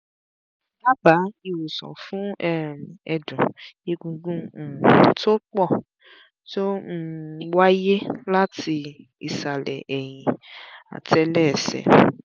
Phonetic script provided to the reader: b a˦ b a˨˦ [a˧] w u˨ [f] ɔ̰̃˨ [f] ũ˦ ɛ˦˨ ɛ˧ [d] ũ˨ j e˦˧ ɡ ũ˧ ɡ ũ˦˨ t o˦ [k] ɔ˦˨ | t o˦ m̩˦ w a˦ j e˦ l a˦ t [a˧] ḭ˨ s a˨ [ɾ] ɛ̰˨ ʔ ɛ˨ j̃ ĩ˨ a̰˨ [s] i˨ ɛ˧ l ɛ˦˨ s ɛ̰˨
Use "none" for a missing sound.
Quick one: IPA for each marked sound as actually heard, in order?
i˧, s, f, d, k͡p, i˧, l, t

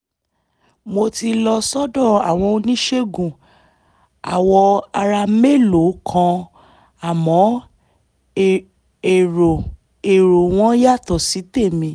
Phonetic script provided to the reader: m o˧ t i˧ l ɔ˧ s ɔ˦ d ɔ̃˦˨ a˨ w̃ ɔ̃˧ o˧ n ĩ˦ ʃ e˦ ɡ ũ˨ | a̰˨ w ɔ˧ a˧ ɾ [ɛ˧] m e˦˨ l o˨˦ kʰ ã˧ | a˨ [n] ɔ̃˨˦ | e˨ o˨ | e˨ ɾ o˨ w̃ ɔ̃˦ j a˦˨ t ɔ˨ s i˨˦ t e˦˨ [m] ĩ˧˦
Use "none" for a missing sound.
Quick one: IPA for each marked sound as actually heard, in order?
a˧, m, m

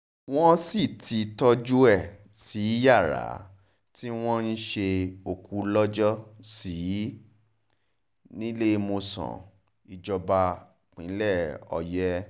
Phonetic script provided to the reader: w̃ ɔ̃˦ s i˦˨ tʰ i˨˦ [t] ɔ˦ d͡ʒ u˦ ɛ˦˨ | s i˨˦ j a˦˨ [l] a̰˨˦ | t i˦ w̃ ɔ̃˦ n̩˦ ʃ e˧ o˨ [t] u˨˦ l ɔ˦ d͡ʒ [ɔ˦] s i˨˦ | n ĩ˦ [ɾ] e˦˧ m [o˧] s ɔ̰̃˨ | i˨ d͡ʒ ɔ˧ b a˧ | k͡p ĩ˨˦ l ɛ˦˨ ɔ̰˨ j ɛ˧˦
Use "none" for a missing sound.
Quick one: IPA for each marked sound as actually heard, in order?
t, ɾ, k, ɔ˦, l, o˧

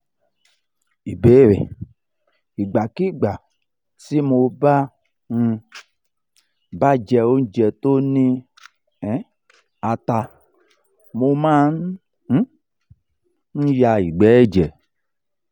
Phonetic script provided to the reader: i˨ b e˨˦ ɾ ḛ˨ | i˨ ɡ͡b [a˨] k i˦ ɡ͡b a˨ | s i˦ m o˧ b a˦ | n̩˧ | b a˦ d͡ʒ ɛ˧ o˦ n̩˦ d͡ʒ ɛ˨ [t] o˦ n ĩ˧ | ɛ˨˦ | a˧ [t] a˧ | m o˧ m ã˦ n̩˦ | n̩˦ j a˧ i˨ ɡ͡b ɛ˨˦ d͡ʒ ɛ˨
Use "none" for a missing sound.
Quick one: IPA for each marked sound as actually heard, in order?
a˨, t, t

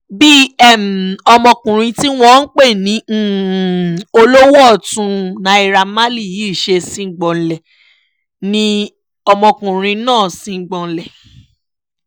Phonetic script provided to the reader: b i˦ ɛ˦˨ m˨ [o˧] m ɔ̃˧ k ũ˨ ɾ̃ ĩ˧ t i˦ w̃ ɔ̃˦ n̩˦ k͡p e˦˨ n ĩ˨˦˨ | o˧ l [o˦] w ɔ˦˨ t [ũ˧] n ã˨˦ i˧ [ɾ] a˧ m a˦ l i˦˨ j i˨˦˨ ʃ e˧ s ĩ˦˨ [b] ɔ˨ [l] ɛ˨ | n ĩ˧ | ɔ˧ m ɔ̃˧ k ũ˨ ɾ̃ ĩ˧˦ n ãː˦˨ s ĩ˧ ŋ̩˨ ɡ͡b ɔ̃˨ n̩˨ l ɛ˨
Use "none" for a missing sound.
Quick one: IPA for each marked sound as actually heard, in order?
ɔ˧, o˦, ũ˧, ɾ, ɡ͡b, l

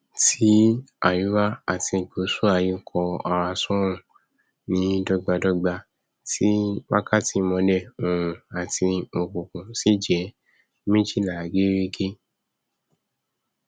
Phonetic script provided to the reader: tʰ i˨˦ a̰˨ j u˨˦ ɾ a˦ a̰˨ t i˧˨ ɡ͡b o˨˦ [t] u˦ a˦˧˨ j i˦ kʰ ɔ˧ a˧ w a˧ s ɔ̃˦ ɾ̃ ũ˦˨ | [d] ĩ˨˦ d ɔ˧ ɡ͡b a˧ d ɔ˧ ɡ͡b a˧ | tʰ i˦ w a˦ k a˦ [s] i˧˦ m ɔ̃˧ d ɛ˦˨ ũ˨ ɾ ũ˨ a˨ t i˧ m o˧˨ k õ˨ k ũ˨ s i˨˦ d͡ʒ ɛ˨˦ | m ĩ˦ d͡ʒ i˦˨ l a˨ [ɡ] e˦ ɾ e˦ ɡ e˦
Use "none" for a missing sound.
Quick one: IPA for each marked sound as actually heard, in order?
s, n, t, ɡ

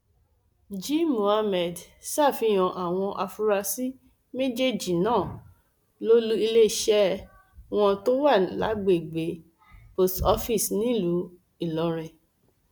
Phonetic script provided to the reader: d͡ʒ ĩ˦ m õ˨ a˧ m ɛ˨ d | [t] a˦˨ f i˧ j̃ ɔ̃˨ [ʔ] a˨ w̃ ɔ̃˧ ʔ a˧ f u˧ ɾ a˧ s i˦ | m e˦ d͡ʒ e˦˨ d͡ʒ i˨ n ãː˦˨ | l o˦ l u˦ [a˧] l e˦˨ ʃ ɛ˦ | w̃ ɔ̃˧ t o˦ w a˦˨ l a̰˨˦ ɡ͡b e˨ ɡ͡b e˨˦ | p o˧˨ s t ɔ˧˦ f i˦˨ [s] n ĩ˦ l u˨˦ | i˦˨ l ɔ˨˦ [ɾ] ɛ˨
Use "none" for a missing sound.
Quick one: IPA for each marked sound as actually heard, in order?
s, ʔ, i˧, s, ɾ

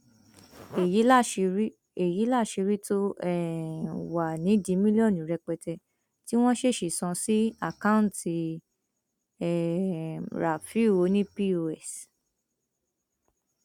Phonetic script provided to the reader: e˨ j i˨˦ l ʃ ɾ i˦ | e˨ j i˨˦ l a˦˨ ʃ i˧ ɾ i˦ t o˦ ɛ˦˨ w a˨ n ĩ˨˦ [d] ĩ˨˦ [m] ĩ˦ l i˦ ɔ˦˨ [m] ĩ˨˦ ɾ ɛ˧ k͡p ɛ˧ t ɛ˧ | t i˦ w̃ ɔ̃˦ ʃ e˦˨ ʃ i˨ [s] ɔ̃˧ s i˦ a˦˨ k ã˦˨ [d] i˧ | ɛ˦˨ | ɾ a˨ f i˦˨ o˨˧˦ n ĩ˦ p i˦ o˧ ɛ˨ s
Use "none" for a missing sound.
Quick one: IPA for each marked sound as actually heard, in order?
d, m, n, s, t

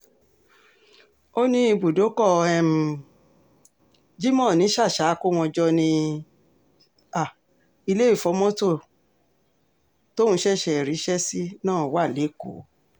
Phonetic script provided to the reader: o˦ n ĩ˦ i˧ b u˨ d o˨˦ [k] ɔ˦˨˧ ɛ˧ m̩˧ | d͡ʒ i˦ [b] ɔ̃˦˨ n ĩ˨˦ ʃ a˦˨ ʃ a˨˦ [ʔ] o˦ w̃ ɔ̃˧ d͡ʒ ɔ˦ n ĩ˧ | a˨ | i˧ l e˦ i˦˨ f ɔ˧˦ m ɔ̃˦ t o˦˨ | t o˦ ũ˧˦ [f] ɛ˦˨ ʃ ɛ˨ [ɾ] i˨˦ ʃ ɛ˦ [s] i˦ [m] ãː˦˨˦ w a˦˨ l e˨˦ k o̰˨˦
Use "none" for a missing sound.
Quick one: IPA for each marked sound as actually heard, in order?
k, m, k, ʃ, ɾ, s, n

